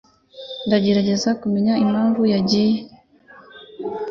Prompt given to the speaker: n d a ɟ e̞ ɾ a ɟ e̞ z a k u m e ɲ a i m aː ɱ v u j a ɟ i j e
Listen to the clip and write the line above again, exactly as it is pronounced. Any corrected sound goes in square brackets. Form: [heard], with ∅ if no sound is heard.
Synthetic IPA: n d a ɟ e̞ ɾ a ɟ e̞ z a k u m e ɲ a i m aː ɱ v u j a ɟ i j e